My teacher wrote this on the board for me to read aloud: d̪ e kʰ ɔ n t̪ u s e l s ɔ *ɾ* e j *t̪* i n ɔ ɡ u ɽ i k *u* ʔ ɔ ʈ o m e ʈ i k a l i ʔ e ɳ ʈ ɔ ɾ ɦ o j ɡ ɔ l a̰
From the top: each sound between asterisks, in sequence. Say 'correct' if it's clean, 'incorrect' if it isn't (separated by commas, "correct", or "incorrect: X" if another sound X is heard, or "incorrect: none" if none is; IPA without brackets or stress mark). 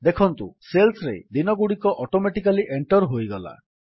correct, incorrect: d̪, incorrect: ɔ